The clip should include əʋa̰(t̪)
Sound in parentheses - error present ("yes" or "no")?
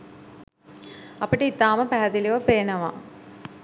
yes